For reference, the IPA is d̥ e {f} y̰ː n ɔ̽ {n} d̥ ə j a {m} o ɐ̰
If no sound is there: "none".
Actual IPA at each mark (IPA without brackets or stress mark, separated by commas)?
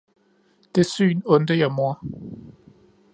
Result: s, n, m